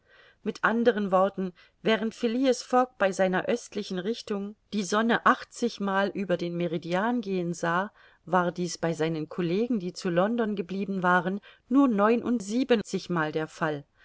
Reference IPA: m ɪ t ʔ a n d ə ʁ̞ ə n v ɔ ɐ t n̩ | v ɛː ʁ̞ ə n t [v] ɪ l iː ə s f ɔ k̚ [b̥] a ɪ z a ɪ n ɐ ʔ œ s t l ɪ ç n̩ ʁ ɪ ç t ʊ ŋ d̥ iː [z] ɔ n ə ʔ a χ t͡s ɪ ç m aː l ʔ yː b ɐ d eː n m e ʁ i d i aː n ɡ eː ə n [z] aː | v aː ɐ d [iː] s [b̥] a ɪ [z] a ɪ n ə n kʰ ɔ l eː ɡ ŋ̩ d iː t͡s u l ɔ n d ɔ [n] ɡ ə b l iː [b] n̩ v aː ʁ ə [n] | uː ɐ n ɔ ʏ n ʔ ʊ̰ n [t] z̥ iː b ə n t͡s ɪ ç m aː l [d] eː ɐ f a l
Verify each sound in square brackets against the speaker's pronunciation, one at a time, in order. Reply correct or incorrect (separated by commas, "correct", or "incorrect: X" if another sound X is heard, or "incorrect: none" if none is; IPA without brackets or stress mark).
incorrect: f, correct, correct, correct, correct, correct, correct, correct, correct, incorrect: nː, correct, correct